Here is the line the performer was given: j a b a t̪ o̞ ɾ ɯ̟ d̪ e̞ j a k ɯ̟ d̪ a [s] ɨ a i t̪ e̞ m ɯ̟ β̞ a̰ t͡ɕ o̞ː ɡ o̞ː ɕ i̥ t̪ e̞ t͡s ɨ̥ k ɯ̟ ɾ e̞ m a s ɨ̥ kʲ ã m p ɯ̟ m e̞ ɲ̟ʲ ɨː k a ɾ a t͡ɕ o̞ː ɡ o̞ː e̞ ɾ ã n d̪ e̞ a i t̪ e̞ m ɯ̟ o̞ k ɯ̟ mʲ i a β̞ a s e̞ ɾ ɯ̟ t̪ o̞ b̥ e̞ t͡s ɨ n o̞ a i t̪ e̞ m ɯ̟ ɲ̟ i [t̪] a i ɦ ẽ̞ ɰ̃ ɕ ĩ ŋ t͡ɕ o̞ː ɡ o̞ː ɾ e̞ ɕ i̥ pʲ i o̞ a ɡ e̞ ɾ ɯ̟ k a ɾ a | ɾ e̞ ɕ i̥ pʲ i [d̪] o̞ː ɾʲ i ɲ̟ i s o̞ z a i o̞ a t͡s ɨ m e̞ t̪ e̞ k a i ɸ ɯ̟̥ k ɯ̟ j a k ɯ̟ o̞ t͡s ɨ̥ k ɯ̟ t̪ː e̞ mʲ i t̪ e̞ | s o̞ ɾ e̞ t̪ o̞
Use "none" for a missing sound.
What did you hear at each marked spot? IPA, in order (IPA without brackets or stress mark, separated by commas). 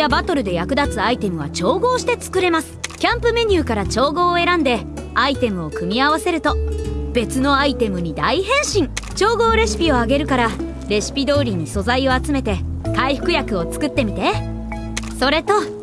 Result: t͡s, d̪, d̪